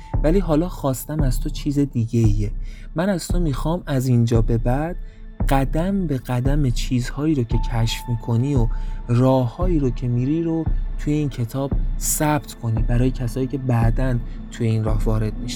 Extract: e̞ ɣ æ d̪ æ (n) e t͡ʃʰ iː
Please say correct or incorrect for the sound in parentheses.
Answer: incorrect